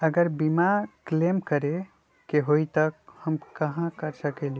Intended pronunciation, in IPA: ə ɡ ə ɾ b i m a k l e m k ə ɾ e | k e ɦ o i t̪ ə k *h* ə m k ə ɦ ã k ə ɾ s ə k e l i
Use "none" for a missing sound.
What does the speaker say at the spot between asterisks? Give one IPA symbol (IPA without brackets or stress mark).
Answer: h